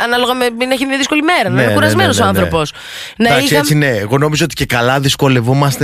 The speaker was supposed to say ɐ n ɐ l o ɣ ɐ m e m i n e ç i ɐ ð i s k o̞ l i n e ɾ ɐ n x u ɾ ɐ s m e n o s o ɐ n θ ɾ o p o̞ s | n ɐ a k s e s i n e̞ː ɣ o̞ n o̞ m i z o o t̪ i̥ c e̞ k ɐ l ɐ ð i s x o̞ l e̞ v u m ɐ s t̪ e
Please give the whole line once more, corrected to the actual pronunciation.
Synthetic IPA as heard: ɐ n ɐ l o ɣ ɐ m e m i n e ç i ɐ ð i s k o̞ l i m e ɾ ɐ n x u ɾ ɐ z m e n o s o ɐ n θ ɾ o p o̞ s | n ɐ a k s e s i n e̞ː ɣ o̞ n o̞ m i z o o t̪ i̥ c e̞ k ɐ l ɐ ð i s k o̞ l e̞ v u m ɐ s t̪ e